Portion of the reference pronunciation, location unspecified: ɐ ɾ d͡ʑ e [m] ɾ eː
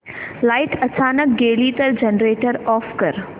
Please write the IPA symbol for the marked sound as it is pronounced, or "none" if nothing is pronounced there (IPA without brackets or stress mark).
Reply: n